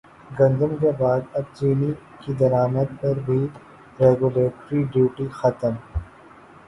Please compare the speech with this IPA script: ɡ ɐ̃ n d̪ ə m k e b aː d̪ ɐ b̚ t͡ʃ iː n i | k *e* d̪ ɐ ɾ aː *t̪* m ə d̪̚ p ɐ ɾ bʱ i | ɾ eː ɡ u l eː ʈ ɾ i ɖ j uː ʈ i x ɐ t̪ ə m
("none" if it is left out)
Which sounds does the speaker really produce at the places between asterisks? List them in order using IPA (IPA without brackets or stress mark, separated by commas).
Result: i, none